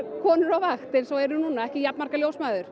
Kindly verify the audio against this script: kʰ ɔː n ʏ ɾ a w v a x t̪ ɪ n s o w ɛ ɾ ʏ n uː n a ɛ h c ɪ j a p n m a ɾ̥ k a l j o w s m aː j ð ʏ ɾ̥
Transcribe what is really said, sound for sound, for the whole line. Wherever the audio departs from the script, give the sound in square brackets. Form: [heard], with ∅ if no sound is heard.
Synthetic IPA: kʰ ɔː n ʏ ɾ a w v a x t̪ ɪ n s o w ɛ ɾ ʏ n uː n a ɛ h c ɪ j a p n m a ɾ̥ k a l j o w s m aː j ð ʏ ɾ̥